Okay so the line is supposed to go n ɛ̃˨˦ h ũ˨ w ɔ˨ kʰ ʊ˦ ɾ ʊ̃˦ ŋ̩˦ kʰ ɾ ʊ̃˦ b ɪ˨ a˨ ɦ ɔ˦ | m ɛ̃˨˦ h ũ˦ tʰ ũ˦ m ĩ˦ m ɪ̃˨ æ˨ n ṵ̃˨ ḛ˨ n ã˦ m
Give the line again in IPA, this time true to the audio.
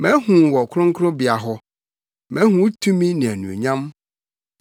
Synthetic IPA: m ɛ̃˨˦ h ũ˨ w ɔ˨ kʰ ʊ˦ ɾ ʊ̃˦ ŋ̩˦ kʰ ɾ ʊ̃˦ b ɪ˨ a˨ ɦ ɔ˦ | m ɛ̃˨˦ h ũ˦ tʰ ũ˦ m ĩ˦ n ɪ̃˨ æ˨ n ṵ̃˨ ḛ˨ ɲ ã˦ m